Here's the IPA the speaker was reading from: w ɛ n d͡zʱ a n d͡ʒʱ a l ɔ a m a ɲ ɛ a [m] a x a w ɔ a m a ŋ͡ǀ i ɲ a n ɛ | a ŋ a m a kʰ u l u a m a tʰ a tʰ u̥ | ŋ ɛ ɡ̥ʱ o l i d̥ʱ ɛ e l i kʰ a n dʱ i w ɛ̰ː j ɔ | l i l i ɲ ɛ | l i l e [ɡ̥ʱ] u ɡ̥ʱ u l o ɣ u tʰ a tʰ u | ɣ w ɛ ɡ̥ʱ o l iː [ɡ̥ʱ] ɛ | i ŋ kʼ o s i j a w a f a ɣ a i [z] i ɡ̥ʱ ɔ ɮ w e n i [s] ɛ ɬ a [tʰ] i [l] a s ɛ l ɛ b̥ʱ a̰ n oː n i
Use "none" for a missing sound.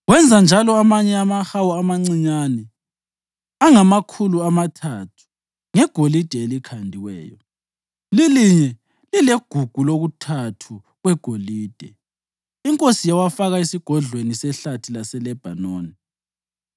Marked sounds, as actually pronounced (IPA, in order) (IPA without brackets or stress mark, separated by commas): m, ɡ̥ʱ, d̥ʱ, s, s, tʰ, l